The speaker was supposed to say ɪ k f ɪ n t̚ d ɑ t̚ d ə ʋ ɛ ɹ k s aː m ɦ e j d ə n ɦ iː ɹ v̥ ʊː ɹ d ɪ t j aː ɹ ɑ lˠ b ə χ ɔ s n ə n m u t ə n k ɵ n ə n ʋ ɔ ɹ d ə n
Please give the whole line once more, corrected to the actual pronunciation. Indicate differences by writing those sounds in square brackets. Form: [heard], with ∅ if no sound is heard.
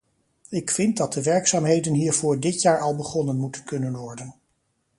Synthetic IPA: ɪ k f ɪ n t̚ d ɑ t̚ d ə ʋ ɛ ɹ k s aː m ɦ e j d ə n ɦ iː ɹ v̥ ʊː ɹ d ɪ t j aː ɹ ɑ lˠ b ə χ ɔ [∅] n ə n m u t ə n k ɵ n ə n ʋ ɔ ɹ d ə n